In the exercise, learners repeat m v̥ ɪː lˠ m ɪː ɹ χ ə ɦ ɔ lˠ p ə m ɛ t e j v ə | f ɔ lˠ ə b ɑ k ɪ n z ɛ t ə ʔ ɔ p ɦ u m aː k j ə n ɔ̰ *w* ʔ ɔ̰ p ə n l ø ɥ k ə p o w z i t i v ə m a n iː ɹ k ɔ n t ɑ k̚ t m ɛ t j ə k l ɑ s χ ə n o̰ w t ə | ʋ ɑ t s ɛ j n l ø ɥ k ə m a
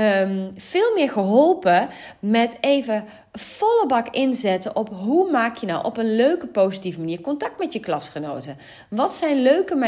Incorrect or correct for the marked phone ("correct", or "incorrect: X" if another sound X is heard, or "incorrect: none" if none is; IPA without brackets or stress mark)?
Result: correct